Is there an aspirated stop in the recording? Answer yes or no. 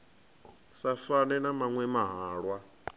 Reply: no